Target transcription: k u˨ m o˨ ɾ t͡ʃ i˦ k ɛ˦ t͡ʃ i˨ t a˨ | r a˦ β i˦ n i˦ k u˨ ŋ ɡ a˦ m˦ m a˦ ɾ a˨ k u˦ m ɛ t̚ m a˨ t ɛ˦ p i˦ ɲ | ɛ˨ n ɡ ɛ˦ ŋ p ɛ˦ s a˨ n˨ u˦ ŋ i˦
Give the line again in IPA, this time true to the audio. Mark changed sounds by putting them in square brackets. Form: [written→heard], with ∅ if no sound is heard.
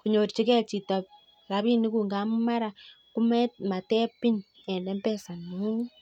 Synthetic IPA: k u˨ [m→ɲ] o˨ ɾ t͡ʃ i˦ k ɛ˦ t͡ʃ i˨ t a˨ | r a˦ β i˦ n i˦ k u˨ ŋ ɡ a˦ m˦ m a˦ ɾ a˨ k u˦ m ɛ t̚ m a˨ t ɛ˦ p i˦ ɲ | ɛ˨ n [ɡ→d] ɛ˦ [ŋ→m] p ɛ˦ s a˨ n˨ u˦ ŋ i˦